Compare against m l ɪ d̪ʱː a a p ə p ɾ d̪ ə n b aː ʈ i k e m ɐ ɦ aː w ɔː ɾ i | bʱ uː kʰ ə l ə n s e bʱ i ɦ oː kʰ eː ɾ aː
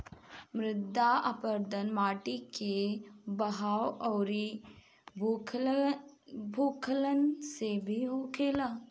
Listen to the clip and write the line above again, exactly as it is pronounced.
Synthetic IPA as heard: m ɾ ɪ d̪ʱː a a p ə ɾ d̪ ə n m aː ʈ i k e b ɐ ɦ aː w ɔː ɾ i | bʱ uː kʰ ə l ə n s e bʱ i ɦ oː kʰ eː l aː